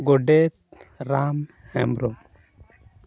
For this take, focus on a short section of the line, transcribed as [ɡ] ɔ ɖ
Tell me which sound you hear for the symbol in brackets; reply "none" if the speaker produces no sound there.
ɡ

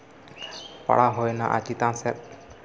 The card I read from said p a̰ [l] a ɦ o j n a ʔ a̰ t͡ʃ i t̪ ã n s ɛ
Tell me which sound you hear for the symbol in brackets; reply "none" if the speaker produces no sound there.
ɽ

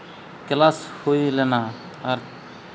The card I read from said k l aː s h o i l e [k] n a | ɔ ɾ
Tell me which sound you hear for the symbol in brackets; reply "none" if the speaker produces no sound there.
none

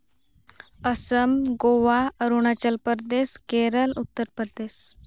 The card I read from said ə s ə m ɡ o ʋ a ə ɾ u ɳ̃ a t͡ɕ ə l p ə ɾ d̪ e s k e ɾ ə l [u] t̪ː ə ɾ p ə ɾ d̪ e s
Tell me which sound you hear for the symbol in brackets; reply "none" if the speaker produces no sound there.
u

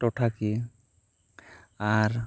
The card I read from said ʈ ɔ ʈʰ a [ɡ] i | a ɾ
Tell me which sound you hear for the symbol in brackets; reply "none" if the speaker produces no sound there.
k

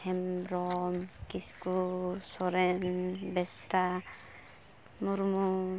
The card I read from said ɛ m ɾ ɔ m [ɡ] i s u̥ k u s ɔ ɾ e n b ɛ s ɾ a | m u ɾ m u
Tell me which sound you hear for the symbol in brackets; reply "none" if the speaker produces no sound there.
k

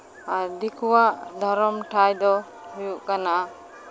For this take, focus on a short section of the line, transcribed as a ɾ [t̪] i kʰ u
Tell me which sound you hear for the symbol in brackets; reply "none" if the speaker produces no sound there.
d̪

